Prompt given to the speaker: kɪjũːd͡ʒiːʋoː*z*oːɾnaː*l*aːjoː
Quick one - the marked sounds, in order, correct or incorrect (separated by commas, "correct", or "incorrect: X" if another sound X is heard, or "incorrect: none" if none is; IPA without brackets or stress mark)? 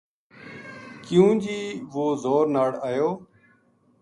correct, incorrect: ɽ